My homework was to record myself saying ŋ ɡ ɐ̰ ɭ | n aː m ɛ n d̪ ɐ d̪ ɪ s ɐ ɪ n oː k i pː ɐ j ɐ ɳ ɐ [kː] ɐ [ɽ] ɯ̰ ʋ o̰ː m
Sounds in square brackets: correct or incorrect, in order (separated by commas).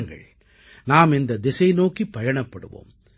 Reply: incorrect, correct